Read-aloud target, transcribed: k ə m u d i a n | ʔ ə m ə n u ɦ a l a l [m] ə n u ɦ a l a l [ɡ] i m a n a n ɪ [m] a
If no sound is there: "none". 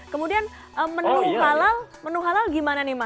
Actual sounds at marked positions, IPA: m, ɡ, m

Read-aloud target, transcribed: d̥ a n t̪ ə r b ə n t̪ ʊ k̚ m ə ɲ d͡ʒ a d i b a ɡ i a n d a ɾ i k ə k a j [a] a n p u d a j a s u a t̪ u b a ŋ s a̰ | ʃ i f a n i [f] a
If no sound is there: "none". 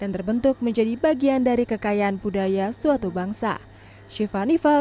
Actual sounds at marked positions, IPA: a, f

